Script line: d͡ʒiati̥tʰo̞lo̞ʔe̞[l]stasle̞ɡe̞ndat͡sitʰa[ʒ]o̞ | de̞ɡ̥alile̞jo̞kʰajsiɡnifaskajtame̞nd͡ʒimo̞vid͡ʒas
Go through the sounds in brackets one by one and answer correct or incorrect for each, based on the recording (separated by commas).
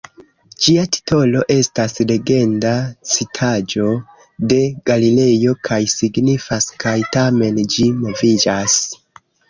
incorrect, incorrect